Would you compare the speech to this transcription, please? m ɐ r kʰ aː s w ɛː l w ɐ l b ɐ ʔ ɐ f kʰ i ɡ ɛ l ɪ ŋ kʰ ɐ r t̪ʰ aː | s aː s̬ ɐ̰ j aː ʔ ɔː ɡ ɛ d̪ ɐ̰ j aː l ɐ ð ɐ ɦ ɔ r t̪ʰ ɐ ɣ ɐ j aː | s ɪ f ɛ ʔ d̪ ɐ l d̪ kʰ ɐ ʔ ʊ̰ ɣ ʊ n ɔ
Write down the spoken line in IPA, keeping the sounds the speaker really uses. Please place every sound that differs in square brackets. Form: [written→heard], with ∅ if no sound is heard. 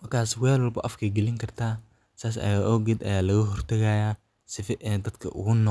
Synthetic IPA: m ɐ r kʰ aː s w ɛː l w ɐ l b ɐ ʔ ɐ f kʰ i ɡ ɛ l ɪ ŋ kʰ ɐ r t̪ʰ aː | s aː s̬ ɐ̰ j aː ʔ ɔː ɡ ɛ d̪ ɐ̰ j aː l ɐ [ð→ɣ] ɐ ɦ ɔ r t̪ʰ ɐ ɣ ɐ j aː | s ɪ f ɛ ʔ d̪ ɐ [l→∅] d̪ kʰ ɐ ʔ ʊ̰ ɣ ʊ n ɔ